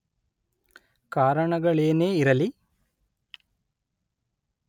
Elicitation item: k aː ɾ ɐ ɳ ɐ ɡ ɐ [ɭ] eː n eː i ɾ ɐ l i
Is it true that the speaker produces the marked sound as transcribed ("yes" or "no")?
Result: yes